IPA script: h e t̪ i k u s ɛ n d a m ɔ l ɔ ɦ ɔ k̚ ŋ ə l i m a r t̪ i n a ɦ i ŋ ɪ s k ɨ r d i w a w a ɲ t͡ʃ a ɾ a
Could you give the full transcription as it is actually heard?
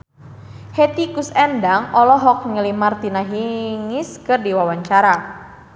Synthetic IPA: h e t̪ i k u s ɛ n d a ŋ ɔ l ɔ ɦ ɔ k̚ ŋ ə l i m a r t̪ i n a ɦ i ŋ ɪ s k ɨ r d i w a w a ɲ t͡ʃ a ɾ a

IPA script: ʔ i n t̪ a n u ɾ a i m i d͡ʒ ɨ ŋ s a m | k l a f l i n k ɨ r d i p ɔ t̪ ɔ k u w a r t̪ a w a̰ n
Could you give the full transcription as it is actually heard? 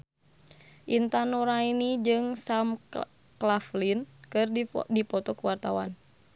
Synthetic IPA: ʔ i n t̪ a n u ɾ a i n i d͡ʒ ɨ ŋ s a m | k l a f l i n k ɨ r d i p ɔ t̪ ɔ k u w a r t̪ a w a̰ n

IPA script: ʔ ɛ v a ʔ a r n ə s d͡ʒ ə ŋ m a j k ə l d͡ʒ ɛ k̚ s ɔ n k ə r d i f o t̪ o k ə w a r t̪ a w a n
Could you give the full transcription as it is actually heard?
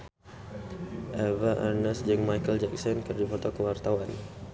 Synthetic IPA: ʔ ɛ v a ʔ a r n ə s d͡ʒ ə ŋ m a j k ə l d͡ʒ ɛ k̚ s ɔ n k ə r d i f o t̪ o k ə w a r t̪ a w a n

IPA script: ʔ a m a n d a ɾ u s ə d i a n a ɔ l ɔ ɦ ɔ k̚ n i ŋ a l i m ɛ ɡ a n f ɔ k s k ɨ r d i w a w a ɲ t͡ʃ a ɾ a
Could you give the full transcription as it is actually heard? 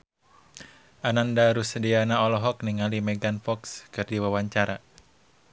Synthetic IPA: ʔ a n a n d a ɾ u s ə d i a n a ɔ l ɔ ɦ ɔ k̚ n i ŋ a l i m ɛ ɡ a n f ɔ k s k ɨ r d i w a w a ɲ t͡ʃ a ɾ a

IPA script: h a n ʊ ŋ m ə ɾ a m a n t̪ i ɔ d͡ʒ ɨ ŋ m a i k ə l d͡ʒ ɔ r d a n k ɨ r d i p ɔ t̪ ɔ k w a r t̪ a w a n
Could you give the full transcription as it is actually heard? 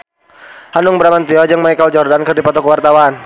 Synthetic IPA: h a n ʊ ŋ b ə ɾ a m a n t̪ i ɔ d͡ʒ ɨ ŋ m a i k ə l d͡ʒ ɔ r d a n k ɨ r d i p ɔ t̪ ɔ k w a r t̪ a w a n

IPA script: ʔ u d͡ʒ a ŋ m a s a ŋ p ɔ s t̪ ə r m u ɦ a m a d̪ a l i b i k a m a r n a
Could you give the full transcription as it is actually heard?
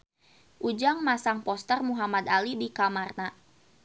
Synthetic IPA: ʔ u d͡ʒ a ŋ m a s a ŋ p ɔ s t̪ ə r m u ɦ a m a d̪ a l i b i k a m a r n a

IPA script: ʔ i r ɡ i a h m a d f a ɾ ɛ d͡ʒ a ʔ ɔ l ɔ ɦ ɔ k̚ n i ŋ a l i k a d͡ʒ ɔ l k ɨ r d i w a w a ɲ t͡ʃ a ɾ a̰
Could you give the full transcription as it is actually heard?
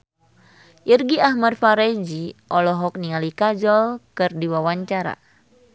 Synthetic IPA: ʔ i r ɡ i a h m a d f a ɾ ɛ d͡ʒ i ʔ ɔ l ɔ ɦ ɔ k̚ n i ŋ a l i k a d͡ʒ ɔ l k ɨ r d i w a w a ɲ t͡ʃ a ɾ a̰

